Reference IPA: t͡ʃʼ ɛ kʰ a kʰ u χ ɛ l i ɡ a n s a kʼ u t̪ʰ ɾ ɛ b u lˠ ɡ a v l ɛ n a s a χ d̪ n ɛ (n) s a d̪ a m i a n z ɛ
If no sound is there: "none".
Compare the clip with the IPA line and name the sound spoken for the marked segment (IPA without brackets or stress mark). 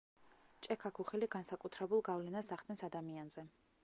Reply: n